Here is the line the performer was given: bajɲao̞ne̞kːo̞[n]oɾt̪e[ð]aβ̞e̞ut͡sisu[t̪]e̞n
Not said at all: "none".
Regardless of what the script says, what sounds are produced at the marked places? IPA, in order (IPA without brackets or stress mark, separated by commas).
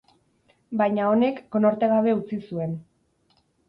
n, ɣ, none